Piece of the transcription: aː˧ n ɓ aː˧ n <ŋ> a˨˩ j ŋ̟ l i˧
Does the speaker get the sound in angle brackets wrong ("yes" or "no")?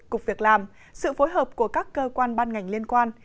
no